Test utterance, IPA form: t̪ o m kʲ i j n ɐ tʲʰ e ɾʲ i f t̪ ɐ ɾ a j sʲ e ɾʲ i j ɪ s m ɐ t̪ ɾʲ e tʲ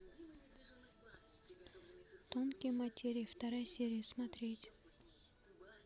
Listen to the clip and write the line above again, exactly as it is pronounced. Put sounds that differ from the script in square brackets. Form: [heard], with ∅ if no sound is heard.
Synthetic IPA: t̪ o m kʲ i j [m] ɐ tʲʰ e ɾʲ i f t̪ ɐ ɾ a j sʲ e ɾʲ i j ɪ s m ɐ t̪ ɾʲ e tʲ